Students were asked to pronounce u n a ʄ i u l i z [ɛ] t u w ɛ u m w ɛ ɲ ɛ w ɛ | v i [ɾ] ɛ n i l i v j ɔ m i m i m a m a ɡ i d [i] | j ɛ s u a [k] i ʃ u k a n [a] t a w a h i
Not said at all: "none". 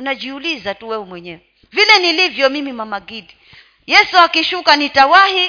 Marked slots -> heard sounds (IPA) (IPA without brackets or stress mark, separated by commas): a, l, i, k, i